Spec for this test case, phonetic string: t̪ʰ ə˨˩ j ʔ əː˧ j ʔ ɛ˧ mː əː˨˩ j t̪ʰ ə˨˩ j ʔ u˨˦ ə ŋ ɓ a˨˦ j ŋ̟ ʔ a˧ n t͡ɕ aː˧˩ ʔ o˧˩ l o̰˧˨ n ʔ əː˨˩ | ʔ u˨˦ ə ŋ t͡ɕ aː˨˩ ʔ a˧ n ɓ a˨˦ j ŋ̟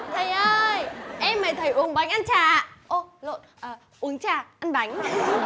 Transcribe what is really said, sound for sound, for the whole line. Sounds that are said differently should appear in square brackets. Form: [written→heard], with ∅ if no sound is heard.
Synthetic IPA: t̪ʰ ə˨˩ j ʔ əː˧ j ʔ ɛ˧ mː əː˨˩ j t̪ʰ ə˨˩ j ʔ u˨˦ ə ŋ ɓ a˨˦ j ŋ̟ ʔ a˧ n t͡ɕ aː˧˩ ʔ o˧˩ l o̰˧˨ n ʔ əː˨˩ | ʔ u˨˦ ə ŋ t͡ɕ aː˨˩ ʔ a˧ n ɓ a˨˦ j ŋ̟

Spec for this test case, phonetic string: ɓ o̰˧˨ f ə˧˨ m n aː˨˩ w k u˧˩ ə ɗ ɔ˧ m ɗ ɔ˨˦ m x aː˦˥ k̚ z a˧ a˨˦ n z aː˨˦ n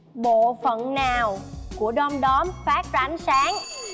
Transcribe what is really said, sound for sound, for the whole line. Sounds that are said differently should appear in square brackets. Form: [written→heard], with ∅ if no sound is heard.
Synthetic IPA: ɓ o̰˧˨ f ə˧˨ [m→n] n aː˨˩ w k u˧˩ ə ɗ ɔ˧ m ɗ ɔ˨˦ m [x→f] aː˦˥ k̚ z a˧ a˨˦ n [z→s] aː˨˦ [n→ŋ]

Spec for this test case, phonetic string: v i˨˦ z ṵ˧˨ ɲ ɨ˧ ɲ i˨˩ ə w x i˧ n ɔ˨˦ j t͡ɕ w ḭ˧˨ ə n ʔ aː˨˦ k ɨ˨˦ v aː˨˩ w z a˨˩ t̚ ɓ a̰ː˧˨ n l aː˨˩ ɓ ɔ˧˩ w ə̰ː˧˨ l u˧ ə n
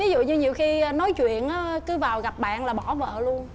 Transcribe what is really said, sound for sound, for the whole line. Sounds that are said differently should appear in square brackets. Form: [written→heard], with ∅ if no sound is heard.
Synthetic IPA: v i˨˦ z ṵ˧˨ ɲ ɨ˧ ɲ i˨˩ ə w x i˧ n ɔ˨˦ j t͡ɕ w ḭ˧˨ ə n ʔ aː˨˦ k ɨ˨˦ v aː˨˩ w [z→ɣ] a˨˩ [t̚→p̚] ɓ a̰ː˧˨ n l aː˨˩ ɓ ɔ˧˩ [w→v] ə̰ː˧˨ l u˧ ə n

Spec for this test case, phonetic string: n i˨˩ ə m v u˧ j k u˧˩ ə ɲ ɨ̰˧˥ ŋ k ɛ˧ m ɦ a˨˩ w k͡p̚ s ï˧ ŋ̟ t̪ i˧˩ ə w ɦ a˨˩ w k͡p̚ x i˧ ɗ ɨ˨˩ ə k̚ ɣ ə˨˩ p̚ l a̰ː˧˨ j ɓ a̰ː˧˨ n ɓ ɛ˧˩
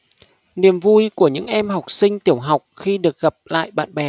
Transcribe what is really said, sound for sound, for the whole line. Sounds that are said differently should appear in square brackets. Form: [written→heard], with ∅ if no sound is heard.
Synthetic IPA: n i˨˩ ə m v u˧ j k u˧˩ ə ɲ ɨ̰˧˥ ŋ [k→ʔ] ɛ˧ m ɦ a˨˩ w k͡p̚ s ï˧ ŋ̟ t̪ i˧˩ ə w ɦ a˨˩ w k͡p̚ x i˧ ɗ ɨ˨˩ ə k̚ ɣ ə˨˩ p̚ l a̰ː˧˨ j ɓ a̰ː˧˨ n ɓ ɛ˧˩

